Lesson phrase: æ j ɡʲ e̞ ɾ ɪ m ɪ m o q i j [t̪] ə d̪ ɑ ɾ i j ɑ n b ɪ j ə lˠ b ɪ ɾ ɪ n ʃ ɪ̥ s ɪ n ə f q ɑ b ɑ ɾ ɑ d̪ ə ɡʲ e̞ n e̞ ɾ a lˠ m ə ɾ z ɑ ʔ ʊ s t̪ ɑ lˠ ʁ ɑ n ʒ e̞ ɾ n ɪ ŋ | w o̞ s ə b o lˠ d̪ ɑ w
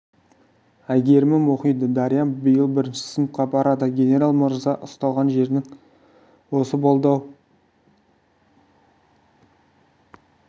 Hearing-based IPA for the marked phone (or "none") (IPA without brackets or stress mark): d̪